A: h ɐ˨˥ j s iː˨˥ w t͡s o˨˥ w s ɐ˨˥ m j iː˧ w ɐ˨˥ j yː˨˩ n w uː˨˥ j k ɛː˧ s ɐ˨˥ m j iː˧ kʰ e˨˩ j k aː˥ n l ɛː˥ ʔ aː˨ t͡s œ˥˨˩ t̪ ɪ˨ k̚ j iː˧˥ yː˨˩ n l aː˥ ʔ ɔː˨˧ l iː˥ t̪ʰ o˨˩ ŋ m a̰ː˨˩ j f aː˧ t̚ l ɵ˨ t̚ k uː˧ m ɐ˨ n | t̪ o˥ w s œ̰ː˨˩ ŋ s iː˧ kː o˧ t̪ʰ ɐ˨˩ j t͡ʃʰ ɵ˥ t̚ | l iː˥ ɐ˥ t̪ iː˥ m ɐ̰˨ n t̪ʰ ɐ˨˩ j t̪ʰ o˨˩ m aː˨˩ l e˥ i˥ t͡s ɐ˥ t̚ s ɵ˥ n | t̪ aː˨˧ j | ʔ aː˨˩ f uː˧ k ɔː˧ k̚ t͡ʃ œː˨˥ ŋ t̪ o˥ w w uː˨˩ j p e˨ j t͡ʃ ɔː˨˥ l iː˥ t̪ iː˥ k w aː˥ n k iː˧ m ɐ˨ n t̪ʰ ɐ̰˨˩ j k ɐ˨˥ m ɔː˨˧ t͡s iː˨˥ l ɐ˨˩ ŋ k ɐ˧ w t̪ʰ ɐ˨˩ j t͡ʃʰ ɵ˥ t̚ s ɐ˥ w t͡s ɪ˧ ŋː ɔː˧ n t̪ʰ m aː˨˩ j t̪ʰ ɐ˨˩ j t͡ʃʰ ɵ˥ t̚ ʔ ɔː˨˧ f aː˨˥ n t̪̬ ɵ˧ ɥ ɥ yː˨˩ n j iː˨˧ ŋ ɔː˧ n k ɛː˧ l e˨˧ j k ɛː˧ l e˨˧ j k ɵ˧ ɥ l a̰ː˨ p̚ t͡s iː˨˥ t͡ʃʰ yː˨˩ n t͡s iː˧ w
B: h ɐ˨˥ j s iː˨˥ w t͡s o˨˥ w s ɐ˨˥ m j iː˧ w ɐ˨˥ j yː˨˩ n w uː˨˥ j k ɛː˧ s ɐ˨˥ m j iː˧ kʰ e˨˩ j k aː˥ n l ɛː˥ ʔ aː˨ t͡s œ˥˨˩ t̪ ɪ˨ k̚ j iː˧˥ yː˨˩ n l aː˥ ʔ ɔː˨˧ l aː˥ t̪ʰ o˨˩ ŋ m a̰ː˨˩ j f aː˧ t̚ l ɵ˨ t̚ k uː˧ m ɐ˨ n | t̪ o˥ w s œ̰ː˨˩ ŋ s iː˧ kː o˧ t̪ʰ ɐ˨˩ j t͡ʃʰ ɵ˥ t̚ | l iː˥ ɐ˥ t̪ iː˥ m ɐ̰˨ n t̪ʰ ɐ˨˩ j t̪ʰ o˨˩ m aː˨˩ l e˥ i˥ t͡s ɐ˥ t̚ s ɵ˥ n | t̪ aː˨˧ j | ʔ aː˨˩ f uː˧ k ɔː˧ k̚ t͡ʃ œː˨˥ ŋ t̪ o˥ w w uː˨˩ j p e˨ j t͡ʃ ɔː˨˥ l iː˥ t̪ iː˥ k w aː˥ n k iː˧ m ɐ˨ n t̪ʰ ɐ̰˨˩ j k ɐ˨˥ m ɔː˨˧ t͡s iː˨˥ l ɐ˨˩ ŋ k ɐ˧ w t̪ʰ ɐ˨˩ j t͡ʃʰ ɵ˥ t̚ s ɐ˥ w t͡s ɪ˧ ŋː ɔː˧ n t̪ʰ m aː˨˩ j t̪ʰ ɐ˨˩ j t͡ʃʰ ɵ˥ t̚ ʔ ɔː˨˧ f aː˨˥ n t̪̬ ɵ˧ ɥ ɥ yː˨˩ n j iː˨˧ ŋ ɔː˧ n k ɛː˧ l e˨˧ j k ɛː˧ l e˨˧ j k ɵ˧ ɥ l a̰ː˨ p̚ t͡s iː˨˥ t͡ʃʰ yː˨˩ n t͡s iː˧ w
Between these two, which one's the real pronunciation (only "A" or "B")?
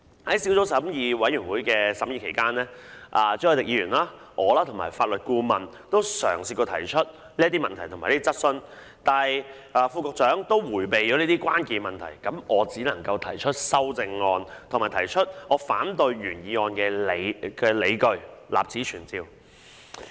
B